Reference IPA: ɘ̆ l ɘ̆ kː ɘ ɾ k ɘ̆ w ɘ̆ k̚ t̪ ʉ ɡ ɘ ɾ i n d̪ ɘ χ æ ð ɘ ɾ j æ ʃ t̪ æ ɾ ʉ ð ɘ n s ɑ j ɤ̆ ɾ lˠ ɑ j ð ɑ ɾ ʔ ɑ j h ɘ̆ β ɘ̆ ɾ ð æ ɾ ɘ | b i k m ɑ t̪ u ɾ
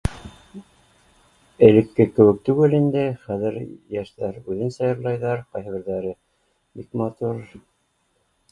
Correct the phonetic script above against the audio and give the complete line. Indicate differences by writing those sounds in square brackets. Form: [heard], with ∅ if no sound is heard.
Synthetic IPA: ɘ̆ l ɘ̆ kː ɘ [∅] k ɘ̆ w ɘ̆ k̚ t̪ ʉ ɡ ɘ [l] i n d̪ ɘ χ æ ð ɘ ɾ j æ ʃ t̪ æ ɾ ʉ ð ɘ n s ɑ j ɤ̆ ɾ lˠ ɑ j ð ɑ ɾ [q] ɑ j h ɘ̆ β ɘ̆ ɾ ð æ ɾ ɘ | b i k m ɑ t̪ u ɾ